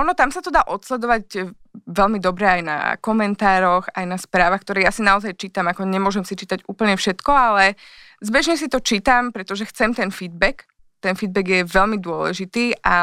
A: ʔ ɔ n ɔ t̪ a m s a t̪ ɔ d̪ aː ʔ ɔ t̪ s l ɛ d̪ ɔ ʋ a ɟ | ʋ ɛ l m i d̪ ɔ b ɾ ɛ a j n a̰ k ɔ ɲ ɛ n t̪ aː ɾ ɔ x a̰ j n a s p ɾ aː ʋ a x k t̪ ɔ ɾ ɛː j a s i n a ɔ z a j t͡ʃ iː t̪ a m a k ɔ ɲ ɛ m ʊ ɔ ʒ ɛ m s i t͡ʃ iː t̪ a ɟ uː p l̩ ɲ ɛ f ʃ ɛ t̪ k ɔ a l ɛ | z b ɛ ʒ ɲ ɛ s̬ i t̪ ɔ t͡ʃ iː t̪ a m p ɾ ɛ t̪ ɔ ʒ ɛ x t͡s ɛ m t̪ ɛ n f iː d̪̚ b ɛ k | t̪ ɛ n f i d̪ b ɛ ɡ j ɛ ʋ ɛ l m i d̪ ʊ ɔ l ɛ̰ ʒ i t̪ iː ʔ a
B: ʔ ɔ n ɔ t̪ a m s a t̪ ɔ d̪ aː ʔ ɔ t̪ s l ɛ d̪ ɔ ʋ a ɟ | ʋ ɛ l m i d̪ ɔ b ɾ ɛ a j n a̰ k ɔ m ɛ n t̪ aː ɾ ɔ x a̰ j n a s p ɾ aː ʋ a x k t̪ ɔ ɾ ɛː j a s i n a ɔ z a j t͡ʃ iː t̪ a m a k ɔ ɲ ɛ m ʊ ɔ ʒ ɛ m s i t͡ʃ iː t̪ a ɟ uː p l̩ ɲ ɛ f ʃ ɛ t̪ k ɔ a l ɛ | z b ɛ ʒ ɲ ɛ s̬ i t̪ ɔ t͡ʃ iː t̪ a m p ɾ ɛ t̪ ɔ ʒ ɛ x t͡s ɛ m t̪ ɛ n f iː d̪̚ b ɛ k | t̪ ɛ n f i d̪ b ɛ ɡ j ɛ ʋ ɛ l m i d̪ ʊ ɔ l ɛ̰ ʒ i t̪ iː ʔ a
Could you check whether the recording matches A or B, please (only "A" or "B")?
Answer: B